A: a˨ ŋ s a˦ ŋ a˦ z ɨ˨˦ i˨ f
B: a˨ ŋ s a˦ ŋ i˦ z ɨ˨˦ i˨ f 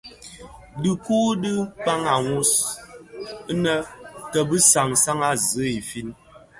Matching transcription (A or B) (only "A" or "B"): A